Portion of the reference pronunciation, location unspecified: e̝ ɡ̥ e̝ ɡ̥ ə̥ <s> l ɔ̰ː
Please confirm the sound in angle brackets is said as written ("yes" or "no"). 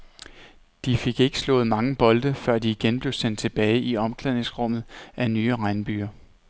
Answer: yes